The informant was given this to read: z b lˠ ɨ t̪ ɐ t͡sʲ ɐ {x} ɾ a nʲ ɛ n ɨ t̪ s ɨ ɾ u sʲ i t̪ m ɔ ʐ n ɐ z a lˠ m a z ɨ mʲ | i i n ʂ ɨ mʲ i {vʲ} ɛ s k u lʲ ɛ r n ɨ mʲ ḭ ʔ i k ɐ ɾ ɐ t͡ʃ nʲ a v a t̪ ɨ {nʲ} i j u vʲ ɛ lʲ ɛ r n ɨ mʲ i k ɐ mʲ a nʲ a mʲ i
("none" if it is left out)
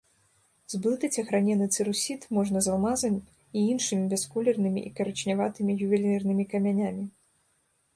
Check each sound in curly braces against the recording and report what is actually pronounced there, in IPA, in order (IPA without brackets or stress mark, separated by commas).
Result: x, bʲ, mʲ